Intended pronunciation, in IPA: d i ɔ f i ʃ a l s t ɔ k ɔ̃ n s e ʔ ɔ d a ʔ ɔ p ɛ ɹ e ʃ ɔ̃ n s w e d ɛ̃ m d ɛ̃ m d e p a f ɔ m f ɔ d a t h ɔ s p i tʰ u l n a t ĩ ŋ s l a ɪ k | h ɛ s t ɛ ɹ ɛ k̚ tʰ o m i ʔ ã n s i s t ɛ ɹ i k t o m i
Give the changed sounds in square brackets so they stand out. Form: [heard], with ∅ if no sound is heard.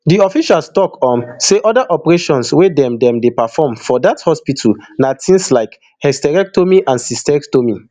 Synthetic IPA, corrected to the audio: d i ɔ f i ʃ a l s t ɔ k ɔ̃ n s e ʔ ɔ d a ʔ ɔ p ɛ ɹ e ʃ ɔ̃ n s w e d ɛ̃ m d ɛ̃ m d e p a f ɔ m f ɔ d a t h ɔ s p i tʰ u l n a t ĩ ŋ s l a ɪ k | h ɛ s t ɛ ɹ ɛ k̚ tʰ o m i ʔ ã n s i s t ɛ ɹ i k t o m i